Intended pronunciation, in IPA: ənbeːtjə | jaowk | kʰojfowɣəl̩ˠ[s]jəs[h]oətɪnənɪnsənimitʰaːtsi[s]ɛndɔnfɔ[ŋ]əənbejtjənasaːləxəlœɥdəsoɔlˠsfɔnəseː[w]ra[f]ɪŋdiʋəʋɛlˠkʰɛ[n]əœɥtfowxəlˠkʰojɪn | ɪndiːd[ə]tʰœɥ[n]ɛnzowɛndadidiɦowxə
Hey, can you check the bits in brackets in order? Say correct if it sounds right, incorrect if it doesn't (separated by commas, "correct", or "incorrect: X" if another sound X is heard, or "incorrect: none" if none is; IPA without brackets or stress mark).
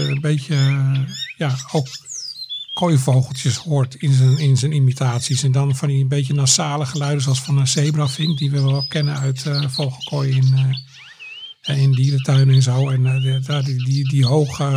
incorrect: t, correct, correct, incorrect: n, incorrect: b, correct, correct, correct, correct